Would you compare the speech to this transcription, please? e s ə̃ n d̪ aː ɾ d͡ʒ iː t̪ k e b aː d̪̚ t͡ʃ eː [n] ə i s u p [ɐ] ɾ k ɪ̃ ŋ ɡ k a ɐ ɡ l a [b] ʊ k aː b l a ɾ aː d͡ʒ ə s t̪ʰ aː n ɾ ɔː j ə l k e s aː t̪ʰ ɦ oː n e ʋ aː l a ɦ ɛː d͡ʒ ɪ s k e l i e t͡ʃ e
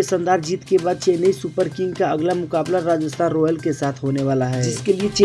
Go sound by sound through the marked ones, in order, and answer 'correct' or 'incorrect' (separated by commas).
correct, incorrect, incorrect